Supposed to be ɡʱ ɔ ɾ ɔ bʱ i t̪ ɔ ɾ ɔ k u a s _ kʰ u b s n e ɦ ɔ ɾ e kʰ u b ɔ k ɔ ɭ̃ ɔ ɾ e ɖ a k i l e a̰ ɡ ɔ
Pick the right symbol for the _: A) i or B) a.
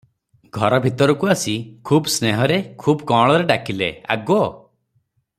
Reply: A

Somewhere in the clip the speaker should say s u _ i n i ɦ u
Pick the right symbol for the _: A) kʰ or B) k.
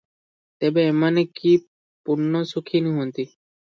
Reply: A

